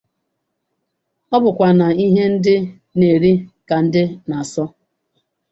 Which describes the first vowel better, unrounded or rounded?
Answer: rounded